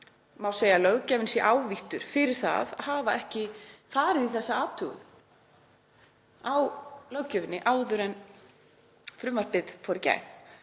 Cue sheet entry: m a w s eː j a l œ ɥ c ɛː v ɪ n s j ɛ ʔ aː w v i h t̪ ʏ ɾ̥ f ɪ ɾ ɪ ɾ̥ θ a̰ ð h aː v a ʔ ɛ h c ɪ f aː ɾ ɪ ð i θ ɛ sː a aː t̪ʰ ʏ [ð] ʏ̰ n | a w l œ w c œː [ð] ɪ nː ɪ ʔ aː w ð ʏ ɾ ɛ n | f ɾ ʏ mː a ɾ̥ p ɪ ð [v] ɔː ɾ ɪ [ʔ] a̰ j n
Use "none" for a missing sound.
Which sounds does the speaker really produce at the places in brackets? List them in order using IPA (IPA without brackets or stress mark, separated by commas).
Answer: ɣ, v, f, c